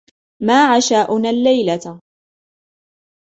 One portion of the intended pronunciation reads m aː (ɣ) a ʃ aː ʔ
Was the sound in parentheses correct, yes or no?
no